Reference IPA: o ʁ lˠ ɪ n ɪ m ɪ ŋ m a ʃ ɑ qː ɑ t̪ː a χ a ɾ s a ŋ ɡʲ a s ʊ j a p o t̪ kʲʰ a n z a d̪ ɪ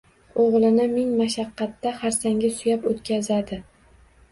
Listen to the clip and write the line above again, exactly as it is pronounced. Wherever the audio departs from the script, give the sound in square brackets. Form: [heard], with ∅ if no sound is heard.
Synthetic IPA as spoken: o ʁ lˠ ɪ n ɪ m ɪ ŋ m a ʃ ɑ qː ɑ t̪ː a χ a ɾ s a ŋ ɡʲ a s ʊ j a p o t̪ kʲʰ a [∅] z a d̪ ɪ